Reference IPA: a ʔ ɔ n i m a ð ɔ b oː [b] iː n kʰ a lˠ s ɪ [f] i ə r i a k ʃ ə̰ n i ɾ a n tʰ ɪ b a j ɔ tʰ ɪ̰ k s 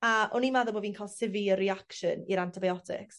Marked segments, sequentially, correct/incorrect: incorrect: v, incorrect: v

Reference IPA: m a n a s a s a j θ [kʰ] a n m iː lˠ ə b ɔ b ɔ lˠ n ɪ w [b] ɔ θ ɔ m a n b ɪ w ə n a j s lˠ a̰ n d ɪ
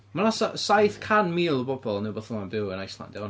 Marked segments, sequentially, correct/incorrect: correct, correct

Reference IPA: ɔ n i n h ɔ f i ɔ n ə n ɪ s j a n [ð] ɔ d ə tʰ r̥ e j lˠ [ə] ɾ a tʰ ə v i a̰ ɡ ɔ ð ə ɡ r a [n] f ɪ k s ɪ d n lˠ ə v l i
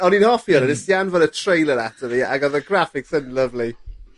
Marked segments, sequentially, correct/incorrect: incorrect: v, correct, incorrect: none

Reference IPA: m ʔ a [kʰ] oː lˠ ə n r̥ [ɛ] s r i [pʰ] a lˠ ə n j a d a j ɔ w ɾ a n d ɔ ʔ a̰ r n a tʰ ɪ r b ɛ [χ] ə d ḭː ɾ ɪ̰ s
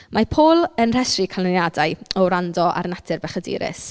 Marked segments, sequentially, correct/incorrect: incorrect: pʰ, correct, incorrect: kʰ, correct

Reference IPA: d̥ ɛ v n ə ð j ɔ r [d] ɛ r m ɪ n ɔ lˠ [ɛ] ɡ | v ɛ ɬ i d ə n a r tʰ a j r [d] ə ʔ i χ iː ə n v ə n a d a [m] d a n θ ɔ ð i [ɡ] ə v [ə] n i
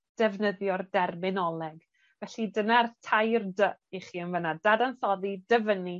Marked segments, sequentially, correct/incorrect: correct, correct, correct, incorrect: none, incorrect: d, correct

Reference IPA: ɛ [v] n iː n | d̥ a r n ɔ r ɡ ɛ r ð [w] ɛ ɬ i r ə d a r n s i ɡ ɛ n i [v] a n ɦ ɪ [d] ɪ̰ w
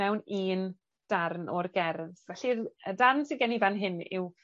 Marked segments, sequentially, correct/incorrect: incorrect: w, incorrect: v, correct, incorrect: n

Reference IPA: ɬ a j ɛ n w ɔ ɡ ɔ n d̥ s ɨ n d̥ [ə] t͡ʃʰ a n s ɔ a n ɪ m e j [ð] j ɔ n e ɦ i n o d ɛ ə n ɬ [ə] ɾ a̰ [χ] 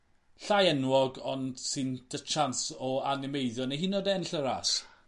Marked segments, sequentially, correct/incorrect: correct, correct, correct, incorrect: s

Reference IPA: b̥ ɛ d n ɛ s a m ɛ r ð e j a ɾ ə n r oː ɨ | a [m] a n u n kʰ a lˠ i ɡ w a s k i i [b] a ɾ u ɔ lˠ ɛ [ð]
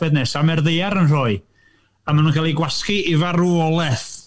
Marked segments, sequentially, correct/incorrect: correct, incorrect: v, incorrect: θ

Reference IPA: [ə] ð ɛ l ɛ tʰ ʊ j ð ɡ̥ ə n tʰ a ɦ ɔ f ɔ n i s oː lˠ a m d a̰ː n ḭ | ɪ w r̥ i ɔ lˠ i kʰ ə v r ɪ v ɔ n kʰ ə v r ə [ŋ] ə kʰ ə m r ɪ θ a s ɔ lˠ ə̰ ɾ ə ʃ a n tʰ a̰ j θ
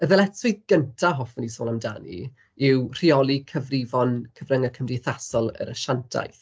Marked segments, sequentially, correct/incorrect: correct, correct

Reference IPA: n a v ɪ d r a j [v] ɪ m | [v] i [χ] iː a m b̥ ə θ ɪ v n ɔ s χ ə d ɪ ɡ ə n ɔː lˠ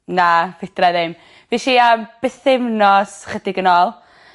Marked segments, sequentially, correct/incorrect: incorrect: ð, correct, incorrect: ʃ

